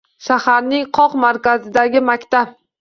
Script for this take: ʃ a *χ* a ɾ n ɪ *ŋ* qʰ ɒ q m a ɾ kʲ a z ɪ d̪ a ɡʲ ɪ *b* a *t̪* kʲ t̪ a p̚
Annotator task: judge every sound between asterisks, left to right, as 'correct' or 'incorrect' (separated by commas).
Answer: incorrect, correct, incorrect, incorrect